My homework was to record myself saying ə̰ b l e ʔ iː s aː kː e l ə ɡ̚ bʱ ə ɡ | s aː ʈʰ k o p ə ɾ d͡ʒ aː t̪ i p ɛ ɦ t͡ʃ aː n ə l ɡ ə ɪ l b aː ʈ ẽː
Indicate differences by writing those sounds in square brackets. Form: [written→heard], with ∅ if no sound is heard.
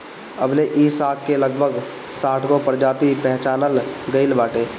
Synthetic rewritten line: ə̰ b l e ʔ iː s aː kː e l ə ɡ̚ bʱ ə ɡ | s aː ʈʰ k o p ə ɾ d͡ʒ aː t̪ i p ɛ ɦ t͡ʃ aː n ə l ɡ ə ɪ l b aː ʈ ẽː